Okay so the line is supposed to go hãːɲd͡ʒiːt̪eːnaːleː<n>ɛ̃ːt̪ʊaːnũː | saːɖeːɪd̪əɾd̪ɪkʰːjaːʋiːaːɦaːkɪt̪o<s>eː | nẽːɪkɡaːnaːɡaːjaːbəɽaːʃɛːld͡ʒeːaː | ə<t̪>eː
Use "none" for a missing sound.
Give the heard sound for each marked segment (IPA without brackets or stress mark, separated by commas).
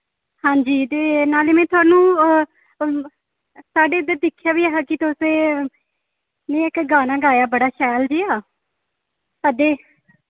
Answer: m, s, d̪